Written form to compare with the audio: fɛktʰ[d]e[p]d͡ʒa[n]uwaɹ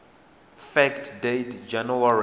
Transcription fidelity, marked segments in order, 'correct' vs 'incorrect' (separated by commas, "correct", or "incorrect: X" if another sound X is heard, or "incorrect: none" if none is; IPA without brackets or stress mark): correct, incorrect: t, correct